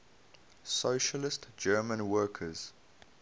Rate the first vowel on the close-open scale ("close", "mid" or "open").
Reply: mid